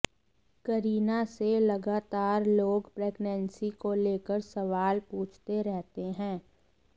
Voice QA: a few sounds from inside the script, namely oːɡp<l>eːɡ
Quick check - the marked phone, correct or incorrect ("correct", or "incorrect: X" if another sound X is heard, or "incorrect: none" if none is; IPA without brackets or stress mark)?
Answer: incorrect: ɾ